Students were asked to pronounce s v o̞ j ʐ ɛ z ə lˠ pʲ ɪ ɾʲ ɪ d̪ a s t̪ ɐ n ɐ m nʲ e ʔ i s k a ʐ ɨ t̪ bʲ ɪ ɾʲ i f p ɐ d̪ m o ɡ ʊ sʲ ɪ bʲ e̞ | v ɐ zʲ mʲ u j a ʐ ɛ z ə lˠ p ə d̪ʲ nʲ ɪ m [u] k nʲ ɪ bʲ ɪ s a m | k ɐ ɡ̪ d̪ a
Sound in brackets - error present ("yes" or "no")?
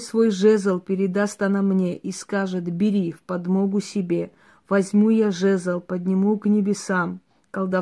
no